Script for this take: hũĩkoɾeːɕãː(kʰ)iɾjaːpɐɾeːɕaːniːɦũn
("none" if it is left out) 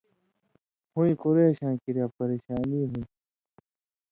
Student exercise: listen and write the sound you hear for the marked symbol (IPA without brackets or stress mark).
k